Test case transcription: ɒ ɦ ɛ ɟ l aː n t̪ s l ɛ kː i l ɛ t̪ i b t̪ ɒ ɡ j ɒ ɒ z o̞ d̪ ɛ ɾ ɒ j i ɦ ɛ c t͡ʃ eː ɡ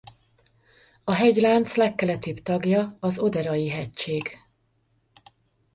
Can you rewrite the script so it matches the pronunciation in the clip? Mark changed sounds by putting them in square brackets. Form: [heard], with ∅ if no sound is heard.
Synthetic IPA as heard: ɒ ɦ ɛ ɟ l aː n t̪ s l ɛ kː [ɛ] l ɛ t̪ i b t̪ ɒ ɡ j ɒ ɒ z o̞ d̪ ɛ ɾ ɒ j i ɦ ɛ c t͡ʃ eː ɡ